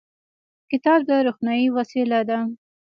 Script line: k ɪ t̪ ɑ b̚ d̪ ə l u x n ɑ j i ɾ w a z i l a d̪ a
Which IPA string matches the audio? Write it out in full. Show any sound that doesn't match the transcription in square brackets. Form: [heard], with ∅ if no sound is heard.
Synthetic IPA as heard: k ɪ t̪ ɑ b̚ d̪ ə [ɾ] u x n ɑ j i [∅] w a [s] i l a d̪ a